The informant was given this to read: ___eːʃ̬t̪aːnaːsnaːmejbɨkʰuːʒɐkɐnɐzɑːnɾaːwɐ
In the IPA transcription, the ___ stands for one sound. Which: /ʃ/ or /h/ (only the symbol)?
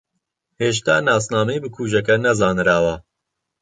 h